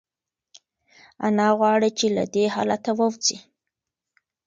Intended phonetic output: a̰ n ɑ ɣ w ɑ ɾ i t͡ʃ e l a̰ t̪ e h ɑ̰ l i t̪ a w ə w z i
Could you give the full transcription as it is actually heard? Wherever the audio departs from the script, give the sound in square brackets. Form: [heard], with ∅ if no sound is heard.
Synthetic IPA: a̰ n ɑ ɣ w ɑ [ɽ] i t͡ʃ e l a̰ [d̪] e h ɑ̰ l [a] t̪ a w ə w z i